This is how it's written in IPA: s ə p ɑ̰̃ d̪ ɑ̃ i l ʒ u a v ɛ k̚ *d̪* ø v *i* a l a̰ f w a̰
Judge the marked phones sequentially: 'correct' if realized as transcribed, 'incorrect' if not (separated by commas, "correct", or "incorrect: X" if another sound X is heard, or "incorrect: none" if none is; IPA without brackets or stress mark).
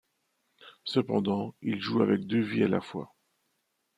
correct, correct